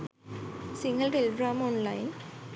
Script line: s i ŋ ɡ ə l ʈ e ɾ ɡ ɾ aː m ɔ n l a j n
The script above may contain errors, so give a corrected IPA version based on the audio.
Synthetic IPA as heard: s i ŋ ɡ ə l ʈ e l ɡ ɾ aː m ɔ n l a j n